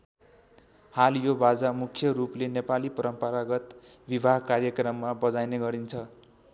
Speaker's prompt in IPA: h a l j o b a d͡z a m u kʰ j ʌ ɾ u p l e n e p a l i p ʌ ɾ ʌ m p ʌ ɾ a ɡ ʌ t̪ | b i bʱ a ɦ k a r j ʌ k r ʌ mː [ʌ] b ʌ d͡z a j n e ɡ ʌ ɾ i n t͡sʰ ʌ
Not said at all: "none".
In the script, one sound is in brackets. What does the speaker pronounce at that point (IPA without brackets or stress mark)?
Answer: a